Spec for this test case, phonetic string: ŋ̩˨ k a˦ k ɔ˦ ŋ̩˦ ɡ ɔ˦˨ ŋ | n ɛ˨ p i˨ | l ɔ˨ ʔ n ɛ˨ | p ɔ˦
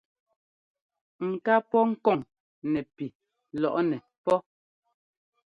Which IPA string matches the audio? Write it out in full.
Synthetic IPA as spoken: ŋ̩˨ k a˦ p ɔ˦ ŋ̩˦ k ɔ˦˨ ŋ | n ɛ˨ p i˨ | l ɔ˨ ʔ n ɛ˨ | p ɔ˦